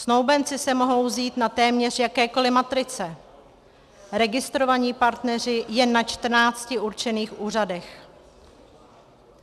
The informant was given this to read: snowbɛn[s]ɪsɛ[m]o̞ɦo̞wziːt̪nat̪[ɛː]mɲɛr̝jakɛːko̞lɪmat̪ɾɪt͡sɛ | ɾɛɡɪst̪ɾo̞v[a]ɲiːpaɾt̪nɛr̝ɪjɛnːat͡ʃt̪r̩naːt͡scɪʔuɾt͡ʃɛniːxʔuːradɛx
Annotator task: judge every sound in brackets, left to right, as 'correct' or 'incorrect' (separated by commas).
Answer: incorrect, correct, correct, correct